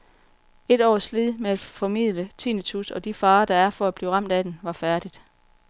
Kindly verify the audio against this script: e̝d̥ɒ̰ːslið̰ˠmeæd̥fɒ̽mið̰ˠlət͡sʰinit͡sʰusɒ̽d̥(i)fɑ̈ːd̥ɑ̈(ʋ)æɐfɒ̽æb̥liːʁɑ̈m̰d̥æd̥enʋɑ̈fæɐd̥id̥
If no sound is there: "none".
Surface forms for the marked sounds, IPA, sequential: i, none

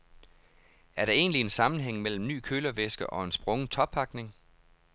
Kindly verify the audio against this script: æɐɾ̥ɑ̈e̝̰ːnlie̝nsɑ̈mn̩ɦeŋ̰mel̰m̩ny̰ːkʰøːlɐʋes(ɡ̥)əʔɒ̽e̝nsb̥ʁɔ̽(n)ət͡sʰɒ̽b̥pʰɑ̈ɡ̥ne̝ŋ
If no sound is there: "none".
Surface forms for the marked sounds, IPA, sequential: ɡ̥, ŋ

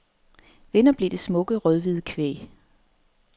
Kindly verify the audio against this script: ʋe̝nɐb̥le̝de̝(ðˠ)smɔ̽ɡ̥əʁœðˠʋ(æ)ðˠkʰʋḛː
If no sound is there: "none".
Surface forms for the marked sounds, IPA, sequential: none, i

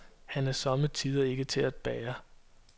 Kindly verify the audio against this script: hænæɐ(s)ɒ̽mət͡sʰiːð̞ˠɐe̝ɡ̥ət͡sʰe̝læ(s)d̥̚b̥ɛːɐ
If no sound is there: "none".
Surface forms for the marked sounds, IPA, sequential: s, none

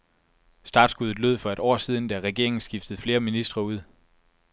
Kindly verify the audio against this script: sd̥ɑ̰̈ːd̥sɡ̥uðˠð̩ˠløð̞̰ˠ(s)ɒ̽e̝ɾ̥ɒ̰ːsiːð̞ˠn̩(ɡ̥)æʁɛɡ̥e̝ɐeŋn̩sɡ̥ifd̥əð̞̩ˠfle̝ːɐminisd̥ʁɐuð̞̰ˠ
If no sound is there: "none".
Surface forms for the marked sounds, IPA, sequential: f, d̥

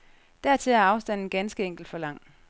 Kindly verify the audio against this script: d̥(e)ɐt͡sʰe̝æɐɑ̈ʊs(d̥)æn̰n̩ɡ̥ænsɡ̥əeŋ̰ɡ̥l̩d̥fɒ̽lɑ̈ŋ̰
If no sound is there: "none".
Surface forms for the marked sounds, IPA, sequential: æ, d̥

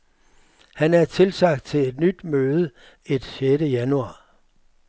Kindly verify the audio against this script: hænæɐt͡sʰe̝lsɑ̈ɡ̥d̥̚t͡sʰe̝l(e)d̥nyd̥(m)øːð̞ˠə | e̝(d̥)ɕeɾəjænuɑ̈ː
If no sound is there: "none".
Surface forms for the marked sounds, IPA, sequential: e, m, d̥

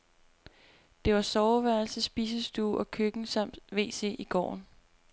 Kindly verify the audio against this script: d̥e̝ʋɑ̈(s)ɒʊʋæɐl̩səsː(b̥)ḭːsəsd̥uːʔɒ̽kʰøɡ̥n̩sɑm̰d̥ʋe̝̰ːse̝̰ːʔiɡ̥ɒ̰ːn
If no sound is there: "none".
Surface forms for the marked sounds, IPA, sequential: s, b̥

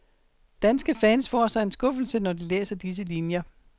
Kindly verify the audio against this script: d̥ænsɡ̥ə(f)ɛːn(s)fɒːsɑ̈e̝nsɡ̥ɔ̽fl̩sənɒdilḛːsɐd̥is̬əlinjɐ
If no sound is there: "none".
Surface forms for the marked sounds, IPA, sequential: f, s

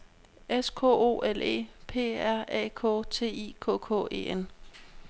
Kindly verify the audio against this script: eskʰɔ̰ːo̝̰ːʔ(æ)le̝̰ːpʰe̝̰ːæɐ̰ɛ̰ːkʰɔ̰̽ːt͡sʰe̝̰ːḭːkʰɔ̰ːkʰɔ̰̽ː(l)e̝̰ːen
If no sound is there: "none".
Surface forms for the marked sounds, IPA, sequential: e, none

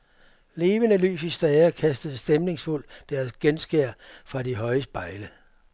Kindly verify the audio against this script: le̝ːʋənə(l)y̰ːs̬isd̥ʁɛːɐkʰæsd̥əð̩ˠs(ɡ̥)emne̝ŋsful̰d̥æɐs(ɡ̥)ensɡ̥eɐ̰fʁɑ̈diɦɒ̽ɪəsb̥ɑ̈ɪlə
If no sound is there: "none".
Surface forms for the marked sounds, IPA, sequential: l, d̥, ɡ̥

